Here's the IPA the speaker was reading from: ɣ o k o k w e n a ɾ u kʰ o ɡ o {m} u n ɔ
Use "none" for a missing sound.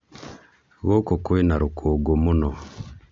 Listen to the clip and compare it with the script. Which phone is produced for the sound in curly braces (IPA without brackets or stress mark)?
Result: m